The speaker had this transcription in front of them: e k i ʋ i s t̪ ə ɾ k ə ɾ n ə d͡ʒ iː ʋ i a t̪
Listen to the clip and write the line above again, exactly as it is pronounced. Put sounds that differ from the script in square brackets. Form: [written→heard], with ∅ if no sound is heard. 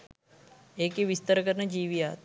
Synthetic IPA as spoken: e k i ʋ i s t̪ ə ɾ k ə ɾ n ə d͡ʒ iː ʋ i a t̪